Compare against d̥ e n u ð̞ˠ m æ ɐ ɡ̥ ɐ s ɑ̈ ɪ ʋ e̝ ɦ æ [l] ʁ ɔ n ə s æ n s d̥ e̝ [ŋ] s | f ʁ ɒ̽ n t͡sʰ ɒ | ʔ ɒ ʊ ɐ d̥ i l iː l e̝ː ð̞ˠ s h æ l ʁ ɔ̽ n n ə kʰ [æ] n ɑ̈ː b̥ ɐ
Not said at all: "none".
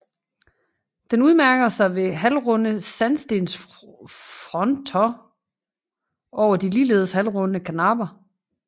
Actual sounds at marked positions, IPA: l, n, æ

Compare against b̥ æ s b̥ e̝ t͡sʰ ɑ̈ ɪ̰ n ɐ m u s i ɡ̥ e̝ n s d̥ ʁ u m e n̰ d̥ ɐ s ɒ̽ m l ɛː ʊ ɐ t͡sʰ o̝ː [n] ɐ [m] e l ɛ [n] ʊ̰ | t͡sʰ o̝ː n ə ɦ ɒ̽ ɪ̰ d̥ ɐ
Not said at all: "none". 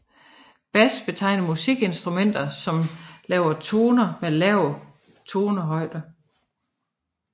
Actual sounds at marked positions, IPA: n, m, none

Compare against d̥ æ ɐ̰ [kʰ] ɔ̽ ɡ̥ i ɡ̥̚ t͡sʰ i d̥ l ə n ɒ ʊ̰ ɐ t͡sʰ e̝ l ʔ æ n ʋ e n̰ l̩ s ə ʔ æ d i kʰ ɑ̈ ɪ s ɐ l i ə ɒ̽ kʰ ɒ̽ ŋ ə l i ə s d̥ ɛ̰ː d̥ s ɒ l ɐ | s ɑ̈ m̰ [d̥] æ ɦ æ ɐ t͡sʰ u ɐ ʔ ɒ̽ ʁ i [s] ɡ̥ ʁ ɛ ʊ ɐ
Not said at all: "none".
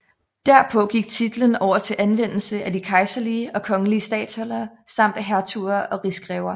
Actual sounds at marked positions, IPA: pʰ, d̥, s

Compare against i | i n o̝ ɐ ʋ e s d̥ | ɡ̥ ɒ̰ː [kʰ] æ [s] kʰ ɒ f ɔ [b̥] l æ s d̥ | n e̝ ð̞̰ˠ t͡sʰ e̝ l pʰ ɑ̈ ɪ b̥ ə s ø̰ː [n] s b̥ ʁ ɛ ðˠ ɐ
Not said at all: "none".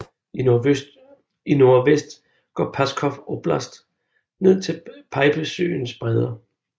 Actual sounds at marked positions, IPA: pʰ, s, b̥, n

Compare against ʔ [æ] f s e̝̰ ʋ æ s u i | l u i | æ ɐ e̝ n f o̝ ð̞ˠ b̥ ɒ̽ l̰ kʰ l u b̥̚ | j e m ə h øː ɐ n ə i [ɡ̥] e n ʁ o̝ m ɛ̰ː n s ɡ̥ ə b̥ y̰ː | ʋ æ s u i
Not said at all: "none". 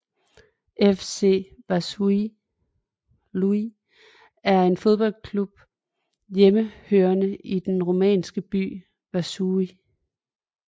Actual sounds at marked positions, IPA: e, d̥

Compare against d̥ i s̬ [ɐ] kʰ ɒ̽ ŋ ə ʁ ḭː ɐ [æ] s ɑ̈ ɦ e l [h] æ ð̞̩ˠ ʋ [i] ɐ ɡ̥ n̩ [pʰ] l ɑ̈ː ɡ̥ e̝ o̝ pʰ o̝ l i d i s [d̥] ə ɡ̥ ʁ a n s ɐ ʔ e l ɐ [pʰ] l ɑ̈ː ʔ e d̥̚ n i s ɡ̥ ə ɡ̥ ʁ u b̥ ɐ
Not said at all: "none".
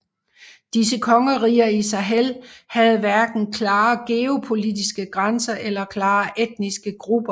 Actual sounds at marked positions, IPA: ə, i, h, æ, kʰ, ɡ̥, kʰ

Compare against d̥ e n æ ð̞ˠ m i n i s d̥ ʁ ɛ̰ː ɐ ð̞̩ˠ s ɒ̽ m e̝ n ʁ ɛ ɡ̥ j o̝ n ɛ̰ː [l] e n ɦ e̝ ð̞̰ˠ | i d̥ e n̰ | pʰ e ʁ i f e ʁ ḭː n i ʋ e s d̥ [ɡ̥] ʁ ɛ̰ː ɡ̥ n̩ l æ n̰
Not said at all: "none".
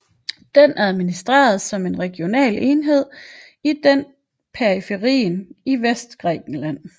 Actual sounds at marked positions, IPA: l, ɡ̥

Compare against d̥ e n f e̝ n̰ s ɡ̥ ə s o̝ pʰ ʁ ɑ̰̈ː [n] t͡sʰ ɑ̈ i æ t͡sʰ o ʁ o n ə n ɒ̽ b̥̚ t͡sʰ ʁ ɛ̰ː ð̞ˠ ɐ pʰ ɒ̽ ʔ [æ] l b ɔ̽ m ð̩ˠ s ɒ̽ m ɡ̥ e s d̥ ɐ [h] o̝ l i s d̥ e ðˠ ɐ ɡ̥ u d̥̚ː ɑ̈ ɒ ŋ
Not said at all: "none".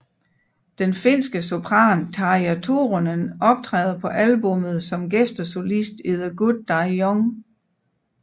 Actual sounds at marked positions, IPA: n, æ, s

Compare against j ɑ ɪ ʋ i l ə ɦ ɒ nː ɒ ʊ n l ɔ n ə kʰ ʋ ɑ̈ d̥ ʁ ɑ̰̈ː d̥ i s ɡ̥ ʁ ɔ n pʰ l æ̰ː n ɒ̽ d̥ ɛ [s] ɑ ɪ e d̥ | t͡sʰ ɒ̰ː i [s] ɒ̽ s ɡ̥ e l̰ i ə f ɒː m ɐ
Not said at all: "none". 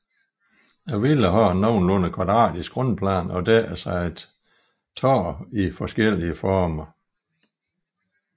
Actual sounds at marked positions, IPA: s, f

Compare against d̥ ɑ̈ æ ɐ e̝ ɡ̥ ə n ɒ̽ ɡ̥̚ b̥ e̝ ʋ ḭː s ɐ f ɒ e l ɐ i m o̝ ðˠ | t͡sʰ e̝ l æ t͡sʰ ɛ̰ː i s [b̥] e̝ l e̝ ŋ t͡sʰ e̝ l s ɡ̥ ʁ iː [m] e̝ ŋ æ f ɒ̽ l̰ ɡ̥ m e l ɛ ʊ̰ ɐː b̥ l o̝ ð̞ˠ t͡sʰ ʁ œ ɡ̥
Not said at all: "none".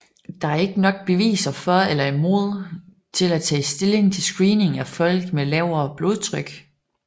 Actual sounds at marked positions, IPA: d̥, n

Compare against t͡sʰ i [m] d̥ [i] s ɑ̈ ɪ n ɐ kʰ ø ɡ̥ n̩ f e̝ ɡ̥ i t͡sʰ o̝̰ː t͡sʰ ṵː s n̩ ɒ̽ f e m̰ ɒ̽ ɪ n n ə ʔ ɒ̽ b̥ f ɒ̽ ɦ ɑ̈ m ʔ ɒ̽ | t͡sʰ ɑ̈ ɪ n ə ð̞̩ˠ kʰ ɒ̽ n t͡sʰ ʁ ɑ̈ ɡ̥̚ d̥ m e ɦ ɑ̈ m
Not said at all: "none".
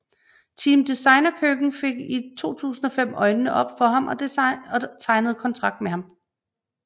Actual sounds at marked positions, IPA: m, i

